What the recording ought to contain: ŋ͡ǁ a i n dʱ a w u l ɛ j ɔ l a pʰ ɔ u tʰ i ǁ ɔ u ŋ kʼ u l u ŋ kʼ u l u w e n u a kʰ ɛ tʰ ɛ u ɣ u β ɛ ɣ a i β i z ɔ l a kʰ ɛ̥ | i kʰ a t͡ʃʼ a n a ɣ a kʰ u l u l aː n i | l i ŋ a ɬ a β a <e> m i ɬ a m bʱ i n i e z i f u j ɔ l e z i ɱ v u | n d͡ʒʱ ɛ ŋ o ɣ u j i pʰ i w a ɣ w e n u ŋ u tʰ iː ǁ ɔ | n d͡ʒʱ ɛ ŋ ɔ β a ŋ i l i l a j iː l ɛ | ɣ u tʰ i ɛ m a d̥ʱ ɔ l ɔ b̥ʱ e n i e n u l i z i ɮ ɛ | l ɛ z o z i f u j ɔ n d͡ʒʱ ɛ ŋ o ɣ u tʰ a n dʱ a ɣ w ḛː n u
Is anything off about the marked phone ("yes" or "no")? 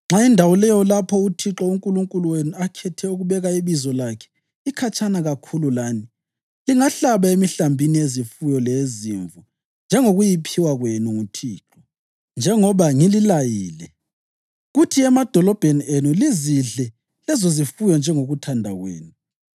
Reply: no